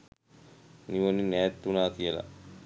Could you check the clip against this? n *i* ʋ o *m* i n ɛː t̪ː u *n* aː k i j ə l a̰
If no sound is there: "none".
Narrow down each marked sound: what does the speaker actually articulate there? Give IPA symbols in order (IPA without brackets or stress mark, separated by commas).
i, n, n